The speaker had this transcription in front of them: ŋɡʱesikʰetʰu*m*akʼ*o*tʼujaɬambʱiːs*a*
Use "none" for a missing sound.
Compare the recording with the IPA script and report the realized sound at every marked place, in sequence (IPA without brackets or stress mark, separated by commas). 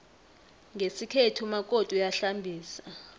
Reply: m, o, a